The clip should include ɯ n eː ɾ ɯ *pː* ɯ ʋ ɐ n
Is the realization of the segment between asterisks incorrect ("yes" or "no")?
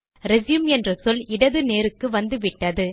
yes